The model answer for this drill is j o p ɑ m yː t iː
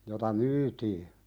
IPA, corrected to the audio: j o t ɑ m yː t iː